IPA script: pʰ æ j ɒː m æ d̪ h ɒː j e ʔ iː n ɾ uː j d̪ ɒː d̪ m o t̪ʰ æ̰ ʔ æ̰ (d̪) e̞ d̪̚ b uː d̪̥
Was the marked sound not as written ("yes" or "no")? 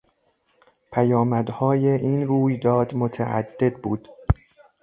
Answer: yes